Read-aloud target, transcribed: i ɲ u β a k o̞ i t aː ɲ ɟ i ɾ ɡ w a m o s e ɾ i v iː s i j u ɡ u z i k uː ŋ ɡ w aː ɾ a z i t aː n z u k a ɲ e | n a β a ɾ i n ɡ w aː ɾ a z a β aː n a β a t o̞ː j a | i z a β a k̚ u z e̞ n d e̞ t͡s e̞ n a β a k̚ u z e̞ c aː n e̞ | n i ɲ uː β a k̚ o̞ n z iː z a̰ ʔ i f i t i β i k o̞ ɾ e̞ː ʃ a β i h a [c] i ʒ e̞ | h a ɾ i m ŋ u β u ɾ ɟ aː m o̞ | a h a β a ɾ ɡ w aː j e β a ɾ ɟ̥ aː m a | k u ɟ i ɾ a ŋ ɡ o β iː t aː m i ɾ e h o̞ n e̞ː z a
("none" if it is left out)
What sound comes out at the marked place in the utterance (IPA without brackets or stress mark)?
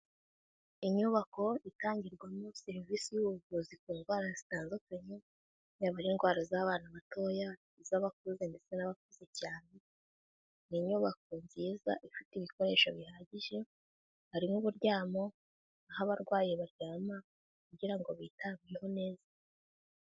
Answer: ɟ